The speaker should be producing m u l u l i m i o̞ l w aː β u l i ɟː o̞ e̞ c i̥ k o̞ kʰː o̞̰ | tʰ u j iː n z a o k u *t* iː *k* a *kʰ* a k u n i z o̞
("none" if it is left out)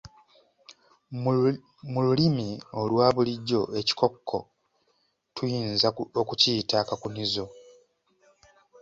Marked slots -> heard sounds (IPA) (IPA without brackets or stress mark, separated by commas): c, t, k